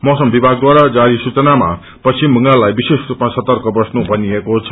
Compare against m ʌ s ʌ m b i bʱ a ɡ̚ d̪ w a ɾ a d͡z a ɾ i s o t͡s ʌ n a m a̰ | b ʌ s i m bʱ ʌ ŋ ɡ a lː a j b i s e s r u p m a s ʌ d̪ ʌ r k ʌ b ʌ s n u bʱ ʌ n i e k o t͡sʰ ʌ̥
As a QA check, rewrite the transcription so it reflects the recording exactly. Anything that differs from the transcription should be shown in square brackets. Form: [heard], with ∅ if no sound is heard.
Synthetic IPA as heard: m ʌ s ʌ m b i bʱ a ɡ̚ d̪ w a ɾ a d͡z a ɾ i s [u] t͡s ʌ n a m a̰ | [p] ʌ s i m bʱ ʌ ŋ ɡ a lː a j b i s e s r u p m a s ʌ [t̪] ʌ r k ʌ b ʌ s n u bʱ ʌ n i e k o t͡sʰ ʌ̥

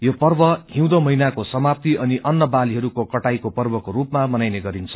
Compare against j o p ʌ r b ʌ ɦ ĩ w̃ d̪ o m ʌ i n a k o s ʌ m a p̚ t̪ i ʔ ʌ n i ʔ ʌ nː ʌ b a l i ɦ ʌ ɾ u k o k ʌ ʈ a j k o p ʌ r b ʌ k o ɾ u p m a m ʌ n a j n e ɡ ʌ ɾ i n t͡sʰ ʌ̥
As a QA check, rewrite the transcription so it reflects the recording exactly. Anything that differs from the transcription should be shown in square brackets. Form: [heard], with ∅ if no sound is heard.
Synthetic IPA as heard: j o p ʌ r b ʌ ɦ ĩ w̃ d̪ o m ʌ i n a k o s ʌ m a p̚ t̪ i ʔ ʌ n i ʔ ʌ nː ʌ b a l i ɦ ʌ ɾ u k o k ʌ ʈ a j k o p ʌ r b ʌ k o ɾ u p m a m ʌ n a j n e ɡ ʌ ɾ i n t͡sʰ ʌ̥

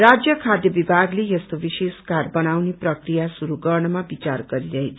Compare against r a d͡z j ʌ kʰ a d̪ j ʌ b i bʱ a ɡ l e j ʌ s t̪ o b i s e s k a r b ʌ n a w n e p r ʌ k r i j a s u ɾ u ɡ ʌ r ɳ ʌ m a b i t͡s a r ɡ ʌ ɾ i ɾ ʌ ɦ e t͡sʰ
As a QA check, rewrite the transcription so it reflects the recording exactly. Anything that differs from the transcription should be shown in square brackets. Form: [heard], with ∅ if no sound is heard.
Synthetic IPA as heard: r a d͡z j ʌ kʰ a d̪ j ʌ b i bʱ a ɡ l e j ʌ s t̪ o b i s e s k a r b ʌ n a w n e p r ʌ k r i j a s u ɾ u ɡ ʌ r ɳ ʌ m a b i t͡s a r ɡ ʌ ɾ i ɾ ʌ ɦ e t͡sʰ

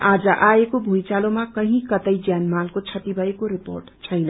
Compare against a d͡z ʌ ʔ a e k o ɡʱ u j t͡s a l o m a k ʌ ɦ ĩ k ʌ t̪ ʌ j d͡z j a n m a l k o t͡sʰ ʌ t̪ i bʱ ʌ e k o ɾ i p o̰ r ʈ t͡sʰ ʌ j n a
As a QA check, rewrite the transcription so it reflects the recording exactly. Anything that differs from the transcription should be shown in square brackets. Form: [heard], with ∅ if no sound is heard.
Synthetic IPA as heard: a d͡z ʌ ʔ a e k o [bʱ] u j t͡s a l o m a k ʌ ɦ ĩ k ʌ t̪ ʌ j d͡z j a n m a l k o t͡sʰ ʌ t̪ i bʱ ʌ e k o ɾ i p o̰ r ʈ t͡sʰ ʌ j n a

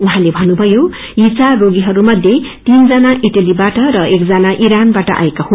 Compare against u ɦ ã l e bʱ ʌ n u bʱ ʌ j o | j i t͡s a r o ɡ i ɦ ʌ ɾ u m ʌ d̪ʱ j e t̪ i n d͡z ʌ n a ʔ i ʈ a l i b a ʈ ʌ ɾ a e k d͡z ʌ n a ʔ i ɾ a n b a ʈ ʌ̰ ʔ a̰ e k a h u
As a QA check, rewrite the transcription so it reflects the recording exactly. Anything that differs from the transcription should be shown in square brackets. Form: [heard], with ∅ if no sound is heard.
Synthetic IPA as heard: u ɦ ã l e bʱ ʌ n u bʱ ʌ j o | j i t͡s a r o ɡ i ɦ ʌ ɾ u m ʌ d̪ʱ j e t̪ i n d͡z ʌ n a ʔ i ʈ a l i b a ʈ ʌ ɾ [ʌ] e k d͡z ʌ n a ʔ i ɾ a n b a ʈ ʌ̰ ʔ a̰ e k a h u

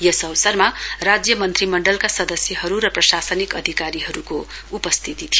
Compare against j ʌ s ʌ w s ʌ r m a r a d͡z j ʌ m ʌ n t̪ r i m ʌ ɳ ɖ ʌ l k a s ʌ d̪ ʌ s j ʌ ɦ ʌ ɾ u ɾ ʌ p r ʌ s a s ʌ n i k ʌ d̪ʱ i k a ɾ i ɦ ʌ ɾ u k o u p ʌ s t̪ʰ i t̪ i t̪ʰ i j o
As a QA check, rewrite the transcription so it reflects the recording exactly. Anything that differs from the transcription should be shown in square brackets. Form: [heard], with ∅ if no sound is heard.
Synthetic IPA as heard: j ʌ s ʌ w s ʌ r m a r a d͡z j ʌ m ʌ n t̪ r i m ʌ ɳ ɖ ʌ l k a s ʌ d̪ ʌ s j ʌ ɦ ʌ ɾ u ɾ ʌ p r ʌ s a s ʌ n i k ʌ d̪ʱ i k a ɾ i ɦ ʌ ɾ u k o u p ʌ s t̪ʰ i t̪ i t̪ʰ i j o

